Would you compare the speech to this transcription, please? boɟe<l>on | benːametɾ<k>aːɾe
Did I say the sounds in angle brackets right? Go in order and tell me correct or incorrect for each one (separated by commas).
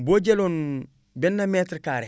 correct, correct